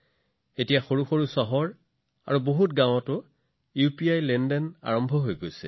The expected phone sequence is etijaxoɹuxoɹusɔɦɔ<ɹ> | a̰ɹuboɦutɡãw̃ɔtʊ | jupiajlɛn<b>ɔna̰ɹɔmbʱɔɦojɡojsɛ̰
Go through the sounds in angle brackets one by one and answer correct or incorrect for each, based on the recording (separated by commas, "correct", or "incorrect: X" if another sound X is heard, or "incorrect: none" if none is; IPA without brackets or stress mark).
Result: correct, incorrect: d